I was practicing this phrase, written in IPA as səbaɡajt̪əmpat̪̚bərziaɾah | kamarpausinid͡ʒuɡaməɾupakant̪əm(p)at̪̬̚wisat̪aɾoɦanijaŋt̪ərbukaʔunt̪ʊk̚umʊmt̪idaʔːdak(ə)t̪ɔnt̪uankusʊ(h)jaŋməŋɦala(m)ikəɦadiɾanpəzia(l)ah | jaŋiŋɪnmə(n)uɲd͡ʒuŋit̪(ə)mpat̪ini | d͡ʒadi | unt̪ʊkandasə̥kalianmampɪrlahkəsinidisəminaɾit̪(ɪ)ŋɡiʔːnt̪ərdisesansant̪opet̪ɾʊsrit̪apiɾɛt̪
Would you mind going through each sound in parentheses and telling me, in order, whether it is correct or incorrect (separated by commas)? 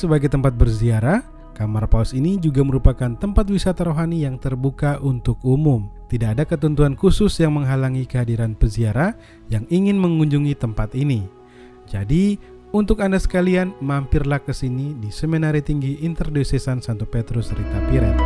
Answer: correct, correct, incorrect, incorrect, incorrect, incorrect, correct, incorrect